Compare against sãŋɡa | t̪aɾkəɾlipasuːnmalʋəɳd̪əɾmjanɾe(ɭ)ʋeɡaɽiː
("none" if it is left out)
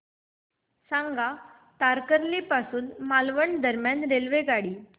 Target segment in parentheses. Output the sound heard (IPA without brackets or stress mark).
l